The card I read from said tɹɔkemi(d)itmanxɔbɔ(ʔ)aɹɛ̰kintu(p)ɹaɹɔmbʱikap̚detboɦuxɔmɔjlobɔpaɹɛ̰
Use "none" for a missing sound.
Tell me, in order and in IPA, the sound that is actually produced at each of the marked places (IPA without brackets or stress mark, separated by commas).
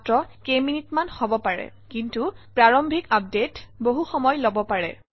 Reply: n, p, p